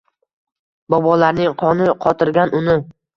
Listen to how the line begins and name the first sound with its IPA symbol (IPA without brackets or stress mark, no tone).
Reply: b